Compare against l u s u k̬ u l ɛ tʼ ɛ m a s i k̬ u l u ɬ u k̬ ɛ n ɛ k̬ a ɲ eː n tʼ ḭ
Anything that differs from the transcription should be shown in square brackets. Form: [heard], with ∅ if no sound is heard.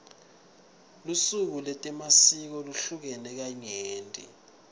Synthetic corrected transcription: l u s u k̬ u l ɛ tʼ ɛ m a s i k̬ [ɔ] l u ɬ u k̬ ɛ n ɛ k̬ a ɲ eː n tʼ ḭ